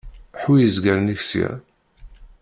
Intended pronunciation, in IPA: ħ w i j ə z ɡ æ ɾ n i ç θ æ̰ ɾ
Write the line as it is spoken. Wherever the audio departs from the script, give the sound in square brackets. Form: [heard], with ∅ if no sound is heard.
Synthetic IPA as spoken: ħ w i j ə z ɡ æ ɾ n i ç [s] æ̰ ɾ